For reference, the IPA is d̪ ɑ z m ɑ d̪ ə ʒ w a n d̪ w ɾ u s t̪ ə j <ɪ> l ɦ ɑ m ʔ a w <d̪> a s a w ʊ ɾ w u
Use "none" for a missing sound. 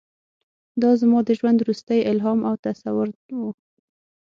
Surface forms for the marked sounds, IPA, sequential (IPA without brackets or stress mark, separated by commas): ɪ, t̪